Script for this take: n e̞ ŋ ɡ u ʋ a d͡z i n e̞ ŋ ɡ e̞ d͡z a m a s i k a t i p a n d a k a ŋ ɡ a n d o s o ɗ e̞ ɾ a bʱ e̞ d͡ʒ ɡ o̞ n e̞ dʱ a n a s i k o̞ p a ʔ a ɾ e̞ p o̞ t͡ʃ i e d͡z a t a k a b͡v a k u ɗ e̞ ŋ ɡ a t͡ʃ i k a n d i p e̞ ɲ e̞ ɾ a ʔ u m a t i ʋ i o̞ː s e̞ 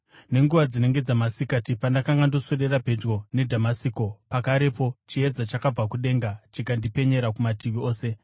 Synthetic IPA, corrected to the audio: n e̞ ŋ ɡ u ʋ a d͡z i n e̞ ŋ ɡ e̞ d͡z a m a s i k a t i p a n d a k a ŋ ɡ a n d o s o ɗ e̞ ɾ a bʱ e̞ d͡ʒ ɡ o̞ n e̞ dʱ a m a s i k o̞ p a k a ɾ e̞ p o̞ t͡ʃ i e d͡z a t͡ʃ a k a b͡v a k u ɗ e̞ ŋ ɡ a t͡ʃ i k a n d i p e̞ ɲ e̞ ɾ a k u m a t i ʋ i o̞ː s e̞